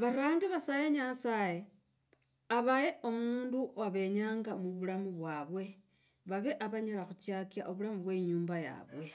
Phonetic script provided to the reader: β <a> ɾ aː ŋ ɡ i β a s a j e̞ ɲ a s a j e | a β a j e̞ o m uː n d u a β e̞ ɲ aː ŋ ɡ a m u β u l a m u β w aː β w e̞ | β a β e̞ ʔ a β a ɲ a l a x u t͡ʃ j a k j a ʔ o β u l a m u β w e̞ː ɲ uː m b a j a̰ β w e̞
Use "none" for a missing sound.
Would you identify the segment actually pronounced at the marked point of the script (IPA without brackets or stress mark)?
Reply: a